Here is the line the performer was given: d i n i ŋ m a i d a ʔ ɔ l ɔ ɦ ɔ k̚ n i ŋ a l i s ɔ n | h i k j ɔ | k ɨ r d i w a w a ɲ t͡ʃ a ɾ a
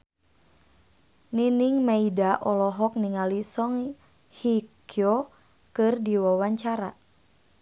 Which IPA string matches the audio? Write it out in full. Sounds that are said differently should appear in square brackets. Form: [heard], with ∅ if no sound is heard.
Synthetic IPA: [n] i n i ŋ m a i d a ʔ ɔ l ɔ ɦ ɔ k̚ n i ŋ a l i s ɔ [ŋ] | h i k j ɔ | k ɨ r d i w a w a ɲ t͡ʃ a ɾ a